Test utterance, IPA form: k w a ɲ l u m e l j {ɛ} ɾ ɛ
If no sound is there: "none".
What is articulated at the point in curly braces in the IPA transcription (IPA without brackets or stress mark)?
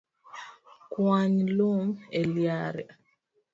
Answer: a